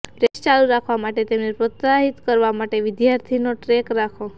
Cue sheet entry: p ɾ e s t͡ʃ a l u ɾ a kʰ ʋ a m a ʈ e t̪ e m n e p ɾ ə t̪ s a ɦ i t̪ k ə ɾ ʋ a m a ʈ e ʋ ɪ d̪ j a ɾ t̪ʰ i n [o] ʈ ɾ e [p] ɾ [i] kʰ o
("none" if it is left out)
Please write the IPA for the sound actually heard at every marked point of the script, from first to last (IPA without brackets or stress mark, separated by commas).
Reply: o, k, a